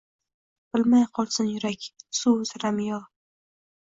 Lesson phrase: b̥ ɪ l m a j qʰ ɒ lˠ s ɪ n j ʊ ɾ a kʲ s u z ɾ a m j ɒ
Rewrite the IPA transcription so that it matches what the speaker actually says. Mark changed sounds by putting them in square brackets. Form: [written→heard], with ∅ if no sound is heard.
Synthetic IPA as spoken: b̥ ɪ l m a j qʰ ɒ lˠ s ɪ n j ʊ ɾ a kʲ s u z ɾ a m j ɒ